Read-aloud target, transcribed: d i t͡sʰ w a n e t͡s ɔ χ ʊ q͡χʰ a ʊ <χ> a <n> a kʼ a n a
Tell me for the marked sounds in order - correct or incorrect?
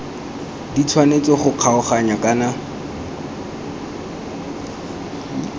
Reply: correct, incorrect: ɲ

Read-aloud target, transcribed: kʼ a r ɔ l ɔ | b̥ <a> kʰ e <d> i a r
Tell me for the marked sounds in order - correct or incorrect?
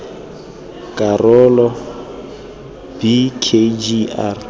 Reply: incorrect: i, incorrect: d͡ʒ

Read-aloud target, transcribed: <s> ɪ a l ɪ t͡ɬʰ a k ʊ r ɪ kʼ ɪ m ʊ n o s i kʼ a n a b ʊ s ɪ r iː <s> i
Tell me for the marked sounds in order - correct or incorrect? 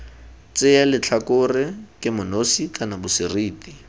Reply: incorrect: t͡s, incorrect: t

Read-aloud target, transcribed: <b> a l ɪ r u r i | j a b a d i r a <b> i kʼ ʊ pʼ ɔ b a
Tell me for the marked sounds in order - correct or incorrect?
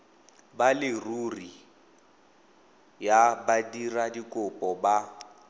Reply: correct, incorrect: d

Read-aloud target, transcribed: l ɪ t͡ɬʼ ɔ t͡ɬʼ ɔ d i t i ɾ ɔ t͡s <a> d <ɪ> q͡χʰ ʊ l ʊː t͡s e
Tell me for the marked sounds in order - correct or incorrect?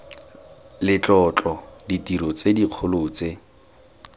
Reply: incorrect: e, incorrect: i

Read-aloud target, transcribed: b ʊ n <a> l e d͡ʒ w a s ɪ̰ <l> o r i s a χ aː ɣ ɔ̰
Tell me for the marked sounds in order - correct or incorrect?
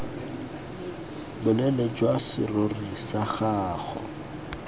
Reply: incorrect: ɛ, incorrect: r

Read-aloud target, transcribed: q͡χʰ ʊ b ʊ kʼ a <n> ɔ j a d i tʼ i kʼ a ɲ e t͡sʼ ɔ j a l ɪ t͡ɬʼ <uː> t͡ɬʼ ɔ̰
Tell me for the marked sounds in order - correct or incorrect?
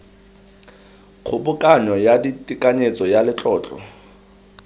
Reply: correct, incorrect: ɔː

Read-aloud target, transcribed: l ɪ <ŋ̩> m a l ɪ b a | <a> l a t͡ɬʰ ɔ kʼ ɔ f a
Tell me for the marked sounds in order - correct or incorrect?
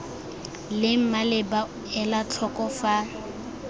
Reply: incorrect: m̩, incorrect: ɛ

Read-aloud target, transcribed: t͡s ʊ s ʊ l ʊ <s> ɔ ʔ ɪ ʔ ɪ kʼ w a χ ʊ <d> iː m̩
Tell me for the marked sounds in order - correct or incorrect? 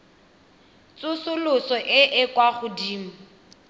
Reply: correct, correct

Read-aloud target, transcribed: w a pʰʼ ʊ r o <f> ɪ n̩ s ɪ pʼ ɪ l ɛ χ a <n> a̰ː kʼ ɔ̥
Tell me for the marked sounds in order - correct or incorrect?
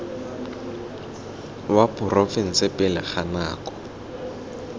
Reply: correct, correct

